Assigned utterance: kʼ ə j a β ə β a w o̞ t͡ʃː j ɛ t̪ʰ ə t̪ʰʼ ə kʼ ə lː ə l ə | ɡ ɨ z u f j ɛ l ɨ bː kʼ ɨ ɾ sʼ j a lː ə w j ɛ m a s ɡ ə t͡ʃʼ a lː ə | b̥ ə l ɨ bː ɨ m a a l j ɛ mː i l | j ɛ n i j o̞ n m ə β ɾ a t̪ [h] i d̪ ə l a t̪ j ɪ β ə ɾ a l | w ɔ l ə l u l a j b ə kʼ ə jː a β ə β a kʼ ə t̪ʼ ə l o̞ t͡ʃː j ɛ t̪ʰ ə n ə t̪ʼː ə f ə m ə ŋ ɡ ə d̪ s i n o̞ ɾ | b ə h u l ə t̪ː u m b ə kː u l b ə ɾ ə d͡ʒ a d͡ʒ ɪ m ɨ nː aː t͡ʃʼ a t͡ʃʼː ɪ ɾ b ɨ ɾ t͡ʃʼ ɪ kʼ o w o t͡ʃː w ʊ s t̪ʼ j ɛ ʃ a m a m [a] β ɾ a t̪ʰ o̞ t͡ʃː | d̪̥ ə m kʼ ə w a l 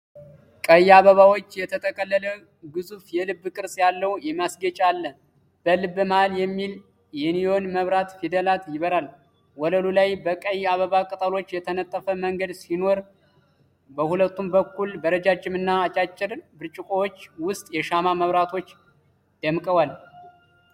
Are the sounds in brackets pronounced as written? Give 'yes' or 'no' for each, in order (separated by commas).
no, no